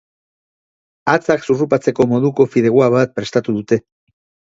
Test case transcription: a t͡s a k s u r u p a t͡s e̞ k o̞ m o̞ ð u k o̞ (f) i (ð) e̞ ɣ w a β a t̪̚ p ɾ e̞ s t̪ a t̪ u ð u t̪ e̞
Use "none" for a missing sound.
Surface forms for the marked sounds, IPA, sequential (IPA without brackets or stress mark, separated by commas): f, ð